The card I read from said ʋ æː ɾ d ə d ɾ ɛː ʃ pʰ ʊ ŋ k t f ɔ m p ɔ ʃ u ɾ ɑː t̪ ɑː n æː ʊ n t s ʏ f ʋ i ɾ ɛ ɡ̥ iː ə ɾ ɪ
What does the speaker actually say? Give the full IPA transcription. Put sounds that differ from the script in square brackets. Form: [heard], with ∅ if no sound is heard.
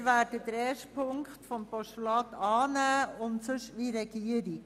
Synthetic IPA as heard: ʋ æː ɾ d ə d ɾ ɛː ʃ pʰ ʊ ŋ k t f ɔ m p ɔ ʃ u [l] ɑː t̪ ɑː n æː ʊ n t s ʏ [ʃ] ʋ i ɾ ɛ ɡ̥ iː ə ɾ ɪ